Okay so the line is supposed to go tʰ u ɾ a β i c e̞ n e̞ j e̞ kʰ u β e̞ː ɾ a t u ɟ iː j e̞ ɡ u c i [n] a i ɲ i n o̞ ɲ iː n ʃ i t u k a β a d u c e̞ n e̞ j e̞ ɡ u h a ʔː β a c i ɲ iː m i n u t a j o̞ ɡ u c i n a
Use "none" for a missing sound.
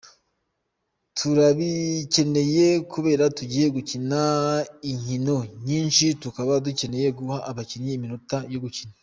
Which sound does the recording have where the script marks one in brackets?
n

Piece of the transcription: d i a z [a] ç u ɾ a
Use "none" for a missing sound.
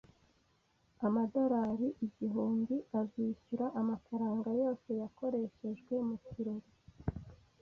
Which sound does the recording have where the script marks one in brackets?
i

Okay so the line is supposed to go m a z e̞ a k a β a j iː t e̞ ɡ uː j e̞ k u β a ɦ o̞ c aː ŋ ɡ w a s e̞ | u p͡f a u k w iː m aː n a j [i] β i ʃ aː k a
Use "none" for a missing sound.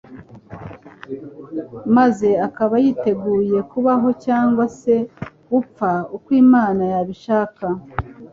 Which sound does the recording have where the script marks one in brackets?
a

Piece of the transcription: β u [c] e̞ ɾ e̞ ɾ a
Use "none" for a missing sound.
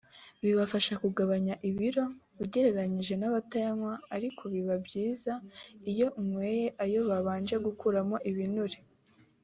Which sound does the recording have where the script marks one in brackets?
ɟ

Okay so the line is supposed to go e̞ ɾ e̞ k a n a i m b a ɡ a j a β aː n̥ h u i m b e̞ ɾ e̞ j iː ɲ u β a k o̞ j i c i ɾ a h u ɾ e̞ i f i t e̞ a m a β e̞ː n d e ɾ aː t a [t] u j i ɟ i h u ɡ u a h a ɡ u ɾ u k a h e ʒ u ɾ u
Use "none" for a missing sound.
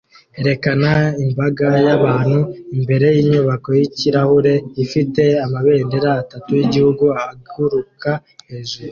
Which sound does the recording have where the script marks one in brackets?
t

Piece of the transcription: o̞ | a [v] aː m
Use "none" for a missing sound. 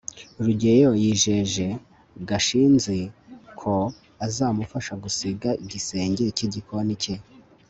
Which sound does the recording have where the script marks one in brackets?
z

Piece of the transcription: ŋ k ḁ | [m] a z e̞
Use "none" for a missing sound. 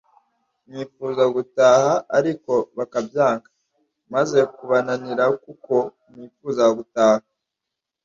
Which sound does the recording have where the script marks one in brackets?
m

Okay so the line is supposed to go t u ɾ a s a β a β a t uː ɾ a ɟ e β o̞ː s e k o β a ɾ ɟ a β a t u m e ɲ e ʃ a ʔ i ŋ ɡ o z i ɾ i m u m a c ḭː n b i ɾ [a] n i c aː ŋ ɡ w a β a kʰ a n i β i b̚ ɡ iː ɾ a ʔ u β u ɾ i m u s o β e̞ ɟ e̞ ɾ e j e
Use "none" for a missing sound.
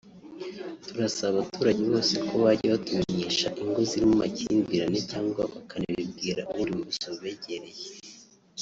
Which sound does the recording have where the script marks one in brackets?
a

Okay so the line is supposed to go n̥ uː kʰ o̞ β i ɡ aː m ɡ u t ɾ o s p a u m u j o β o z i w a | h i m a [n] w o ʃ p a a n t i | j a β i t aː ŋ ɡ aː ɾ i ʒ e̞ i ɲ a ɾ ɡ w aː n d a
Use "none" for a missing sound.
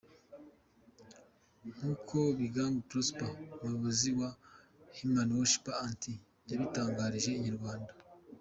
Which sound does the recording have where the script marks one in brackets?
n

